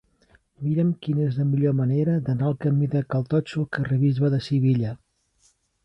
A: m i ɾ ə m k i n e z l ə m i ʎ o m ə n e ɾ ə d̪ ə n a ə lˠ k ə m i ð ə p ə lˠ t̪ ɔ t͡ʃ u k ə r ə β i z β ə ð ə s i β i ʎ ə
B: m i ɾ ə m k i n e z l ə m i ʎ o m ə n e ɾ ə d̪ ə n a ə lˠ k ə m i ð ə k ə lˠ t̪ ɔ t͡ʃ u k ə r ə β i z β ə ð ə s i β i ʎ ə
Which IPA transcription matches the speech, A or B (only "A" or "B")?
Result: B